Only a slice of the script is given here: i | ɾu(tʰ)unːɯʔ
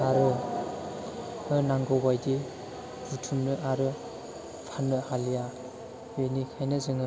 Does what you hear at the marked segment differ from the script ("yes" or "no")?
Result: no